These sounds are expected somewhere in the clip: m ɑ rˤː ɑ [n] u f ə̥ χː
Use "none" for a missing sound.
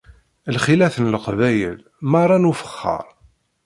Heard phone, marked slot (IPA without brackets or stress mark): n